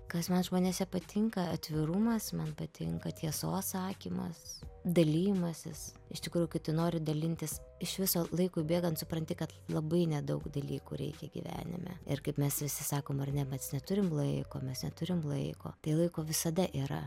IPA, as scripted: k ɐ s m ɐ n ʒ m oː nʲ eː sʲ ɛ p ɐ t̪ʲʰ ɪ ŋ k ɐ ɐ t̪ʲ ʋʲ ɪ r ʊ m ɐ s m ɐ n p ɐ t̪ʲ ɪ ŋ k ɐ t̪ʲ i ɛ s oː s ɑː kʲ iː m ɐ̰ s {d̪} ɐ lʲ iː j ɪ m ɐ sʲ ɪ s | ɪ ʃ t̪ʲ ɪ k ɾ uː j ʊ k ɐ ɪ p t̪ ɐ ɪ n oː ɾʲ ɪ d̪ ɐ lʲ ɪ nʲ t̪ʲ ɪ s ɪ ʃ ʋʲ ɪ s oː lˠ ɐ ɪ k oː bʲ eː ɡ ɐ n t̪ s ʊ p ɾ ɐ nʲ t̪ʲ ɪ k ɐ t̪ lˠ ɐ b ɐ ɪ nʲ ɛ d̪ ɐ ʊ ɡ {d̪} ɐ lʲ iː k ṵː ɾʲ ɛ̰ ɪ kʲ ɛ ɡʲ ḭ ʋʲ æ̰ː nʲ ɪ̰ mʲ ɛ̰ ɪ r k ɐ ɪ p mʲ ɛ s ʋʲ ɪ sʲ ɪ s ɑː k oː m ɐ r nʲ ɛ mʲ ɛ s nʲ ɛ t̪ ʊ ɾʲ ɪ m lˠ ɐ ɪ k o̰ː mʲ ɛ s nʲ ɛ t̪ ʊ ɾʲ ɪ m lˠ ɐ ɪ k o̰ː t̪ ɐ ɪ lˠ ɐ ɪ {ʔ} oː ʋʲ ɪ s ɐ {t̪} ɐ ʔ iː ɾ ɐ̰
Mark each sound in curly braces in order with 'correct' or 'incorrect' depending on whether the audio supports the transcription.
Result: correct, correct, incorrect, incorrect

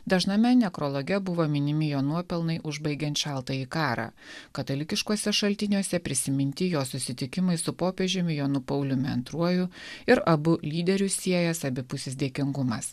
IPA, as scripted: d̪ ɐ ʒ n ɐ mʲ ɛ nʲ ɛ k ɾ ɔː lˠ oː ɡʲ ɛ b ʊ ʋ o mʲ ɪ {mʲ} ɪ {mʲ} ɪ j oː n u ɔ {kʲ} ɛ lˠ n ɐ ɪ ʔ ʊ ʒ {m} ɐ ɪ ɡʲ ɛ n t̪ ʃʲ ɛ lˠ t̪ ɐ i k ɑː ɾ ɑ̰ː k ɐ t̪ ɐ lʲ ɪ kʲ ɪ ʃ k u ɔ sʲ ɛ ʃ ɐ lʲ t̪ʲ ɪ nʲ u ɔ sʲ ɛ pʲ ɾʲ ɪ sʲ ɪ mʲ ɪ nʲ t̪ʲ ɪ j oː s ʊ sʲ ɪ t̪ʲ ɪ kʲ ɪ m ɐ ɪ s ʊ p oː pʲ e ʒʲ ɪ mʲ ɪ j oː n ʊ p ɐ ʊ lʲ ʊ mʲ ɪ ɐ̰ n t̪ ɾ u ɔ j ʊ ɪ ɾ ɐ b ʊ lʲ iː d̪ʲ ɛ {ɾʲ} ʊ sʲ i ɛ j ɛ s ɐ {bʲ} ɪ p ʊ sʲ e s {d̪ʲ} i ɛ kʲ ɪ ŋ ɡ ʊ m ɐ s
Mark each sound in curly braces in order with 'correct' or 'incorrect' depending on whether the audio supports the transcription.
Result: incorrect, correct, incorrect, incorrect, correct, correct, correct

